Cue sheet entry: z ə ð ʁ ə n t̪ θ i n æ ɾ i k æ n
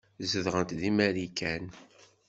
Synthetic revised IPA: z ə ð ʁ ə n t̪ ð i m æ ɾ i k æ n